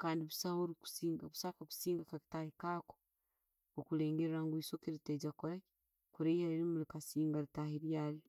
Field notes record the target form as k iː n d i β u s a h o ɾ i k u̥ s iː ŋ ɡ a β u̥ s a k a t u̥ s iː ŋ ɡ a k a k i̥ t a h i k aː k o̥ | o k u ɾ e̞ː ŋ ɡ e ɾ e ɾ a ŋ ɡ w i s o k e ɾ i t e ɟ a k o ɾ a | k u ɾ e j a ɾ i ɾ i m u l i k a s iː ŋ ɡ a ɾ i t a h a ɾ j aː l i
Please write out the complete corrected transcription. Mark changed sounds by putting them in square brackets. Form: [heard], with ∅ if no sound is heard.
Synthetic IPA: k [aː] n d i β u s a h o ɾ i k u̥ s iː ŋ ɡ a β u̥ s a k a [k] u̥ s iː ŋ ɡ a k a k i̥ t a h i k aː k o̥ | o k u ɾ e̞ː ŋ ɡ e ɾ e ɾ a ŋ ɡ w i s o k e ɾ i t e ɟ a k o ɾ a | k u ɾ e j a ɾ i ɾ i m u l i k a s iː ŋ ɡ a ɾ i t a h [i] ɾ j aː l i